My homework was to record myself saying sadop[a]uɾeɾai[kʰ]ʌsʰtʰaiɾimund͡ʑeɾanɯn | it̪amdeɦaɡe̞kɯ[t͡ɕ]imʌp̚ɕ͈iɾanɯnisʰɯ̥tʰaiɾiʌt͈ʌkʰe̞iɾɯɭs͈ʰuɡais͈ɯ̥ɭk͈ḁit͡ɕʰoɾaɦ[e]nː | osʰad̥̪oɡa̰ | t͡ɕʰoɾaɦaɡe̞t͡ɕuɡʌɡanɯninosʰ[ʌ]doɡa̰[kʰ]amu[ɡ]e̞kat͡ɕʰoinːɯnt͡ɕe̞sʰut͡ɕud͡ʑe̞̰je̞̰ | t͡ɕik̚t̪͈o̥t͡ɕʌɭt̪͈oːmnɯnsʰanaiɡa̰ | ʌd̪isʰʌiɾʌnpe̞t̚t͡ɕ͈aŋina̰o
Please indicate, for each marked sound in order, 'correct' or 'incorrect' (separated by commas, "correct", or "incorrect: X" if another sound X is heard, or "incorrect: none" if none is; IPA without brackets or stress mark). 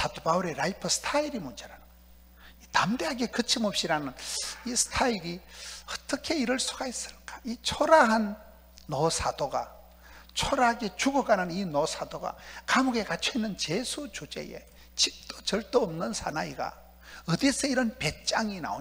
correct, incorrect: pʰ, incorrect: t͡ɕʰ, incorrect: a, incorrect: a, incorrect: k, correct